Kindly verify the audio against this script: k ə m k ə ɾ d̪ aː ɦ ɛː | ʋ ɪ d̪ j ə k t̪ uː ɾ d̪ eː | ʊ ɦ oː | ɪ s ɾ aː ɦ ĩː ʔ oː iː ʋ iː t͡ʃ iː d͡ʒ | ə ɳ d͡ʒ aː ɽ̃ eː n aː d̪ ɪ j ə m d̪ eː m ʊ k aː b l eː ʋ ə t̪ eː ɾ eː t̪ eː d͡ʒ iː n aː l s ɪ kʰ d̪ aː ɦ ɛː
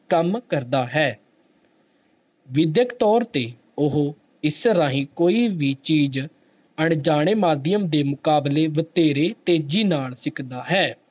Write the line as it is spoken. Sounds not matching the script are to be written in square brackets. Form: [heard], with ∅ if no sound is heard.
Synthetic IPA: k ə m k ə ɾ d̪ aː ɦ ɛː | ʋ ɪ d̪ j ə k t̪ [ɔː] ɾ [t̪] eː | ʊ ɦ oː | ɪ s ɾ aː ɦ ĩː [k] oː iː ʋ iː t͡ʃ iː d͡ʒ | ə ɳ d͡ʒ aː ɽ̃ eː [m] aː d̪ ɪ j ə m d̪ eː m ʊ k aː b l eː ʋ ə t̪ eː ɾ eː t̪ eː d͡ʒ iː n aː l s ɪ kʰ d̪ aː ɦ ɛː